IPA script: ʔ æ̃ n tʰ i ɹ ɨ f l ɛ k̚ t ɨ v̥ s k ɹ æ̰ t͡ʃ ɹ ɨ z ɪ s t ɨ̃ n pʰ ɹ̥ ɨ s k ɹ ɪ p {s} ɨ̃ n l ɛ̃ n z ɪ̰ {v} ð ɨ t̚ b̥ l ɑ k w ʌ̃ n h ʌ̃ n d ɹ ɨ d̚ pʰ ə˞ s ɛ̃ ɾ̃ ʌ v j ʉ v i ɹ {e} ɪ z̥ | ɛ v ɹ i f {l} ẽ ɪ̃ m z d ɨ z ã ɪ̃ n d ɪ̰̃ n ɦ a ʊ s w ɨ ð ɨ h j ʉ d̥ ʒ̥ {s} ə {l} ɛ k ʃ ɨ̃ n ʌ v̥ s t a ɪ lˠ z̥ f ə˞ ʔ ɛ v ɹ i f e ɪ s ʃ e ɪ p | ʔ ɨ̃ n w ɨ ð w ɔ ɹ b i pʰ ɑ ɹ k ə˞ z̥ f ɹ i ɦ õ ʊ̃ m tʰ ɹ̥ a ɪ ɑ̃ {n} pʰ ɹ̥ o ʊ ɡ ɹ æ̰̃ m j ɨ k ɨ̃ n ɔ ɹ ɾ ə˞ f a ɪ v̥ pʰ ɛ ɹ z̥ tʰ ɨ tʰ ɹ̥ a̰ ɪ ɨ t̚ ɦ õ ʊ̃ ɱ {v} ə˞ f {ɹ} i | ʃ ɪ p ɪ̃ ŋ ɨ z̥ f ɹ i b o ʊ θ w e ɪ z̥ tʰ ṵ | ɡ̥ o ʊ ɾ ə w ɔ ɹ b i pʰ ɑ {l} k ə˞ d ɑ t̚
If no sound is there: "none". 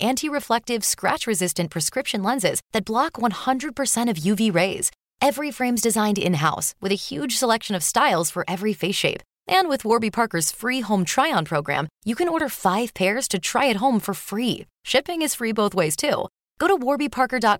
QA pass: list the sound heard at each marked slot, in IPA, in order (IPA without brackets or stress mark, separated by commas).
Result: ʃ, z, e, ɹ, s, l, n, f, ɹ, ɹ